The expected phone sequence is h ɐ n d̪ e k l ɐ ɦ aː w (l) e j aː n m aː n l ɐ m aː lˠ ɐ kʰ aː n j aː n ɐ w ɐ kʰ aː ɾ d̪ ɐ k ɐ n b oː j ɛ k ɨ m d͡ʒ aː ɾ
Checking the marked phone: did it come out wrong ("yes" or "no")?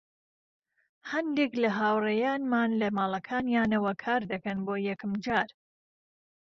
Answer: yes